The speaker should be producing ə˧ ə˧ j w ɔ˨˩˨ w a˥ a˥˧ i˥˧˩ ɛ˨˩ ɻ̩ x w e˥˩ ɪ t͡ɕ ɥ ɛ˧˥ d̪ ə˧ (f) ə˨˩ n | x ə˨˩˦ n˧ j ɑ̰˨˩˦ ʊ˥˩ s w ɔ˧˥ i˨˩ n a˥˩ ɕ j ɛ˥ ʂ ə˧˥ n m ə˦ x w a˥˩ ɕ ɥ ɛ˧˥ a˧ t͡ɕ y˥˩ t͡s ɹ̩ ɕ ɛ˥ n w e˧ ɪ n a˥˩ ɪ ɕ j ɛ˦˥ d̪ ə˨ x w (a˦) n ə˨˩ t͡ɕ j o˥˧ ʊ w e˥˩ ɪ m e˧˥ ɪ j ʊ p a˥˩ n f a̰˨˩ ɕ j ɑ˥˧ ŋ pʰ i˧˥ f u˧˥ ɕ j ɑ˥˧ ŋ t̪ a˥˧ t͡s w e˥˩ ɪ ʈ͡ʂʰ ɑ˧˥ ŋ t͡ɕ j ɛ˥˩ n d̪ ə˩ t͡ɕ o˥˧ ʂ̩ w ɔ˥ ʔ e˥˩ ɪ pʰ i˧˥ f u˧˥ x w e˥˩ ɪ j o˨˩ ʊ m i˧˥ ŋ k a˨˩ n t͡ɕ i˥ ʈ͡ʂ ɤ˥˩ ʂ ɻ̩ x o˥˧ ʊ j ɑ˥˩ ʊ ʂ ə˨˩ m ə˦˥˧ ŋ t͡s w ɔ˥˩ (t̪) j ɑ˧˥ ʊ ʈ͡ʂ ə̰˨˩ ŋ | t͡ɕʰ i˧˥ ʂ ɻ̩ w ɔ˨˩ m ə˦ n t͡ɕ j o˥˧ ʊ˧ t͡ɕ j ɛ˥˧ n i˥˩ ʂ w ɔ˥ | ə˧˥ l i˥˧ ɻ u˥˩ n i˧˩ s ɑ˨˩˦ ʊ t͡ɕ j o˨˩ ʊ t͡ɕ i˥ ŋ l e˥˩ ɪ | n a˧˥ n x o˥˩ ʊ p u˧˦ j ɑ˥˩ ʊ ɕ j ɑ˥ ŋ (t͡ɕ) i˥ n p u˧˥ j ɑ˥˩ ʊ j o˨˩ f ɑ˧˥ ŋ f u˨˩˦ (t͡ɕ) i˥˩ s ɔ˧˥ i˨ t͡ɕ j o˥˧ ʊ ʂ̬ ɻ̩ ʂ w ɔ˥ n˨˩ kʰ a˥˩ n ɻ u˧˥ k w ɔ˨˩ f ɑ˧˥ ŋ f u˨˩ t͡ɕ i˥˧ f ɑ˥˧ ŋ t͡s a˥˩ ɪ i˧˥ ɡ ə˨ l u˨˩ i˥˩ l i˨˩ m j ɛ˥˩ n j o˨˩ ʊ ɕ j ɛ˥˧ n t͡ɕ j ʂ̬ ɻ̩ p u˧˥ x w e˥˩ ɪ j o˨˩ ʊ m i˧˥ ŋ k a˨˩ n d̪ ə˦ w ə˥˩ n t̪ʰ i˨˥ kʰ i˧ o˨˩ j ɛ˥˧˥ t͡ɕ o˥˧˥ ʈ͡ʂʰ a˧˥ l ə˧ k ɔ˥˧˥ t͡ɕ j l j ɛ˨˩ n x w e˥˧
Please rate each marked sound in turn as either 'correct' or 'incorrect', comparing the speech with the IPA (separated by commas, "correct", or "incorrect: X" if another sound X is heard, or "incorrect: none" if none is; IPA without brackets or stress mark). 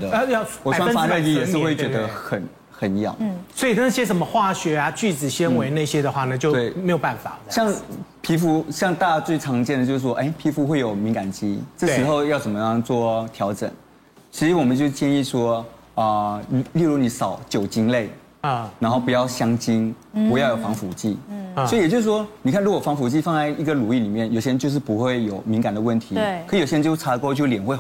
incorrect: x, incorrect: a˥˩, incorrect: t̪ʰ, correct, correct